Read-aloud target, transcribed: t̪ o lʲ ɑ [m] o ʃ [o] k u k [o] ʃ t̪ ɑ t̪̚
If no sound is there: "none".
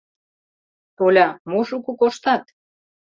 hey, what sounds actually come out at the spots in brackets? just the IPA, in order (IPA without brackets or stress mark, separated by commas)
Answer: m, u, o